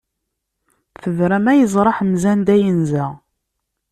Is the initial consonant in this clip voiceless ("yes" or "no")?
yes